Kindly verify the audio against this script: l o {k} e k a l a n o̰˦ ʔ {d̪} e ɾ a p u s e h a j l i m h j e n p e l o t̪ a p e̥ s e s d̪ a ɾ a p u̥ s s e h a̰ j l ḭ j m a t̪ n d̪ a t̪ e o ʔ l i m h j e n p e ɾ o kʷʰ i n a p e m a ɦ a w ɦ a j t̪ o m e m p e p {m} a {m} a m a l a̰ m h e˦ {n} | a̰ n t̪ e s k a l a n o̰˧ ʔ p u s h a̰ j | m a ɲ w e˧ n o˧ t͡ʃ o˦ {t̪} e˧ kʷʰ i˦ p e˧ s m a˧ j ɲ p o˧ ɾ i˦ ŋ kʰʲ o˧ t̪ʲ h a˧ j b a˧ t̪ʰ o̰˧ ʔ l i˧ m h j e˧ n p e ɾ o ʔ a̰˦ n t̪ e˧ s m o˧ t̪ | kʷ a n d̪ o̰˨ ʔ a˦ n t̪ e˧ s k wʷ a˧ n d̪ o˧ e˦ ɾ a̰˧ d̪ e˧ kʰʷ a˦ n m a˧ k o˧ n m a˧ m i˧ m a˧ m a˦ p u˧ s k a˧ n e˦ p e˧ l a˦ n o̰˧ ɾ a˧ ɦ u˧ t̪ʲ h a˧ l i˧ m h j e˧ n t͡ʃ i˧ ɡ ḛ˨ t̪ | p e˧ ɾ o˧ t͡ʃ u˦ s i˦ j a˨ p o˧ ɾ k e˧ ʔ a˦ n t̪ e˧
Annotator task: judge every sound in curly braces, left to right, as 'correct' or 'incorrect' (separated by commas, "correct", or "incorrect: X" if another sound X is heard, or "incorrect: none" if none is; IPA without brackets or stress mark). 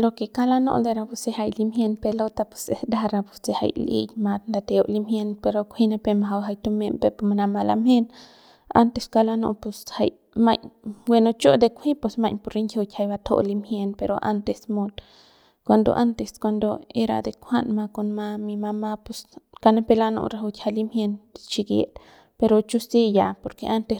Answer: correct, correct, correct, incorrect: n, correct, incorrect: d̪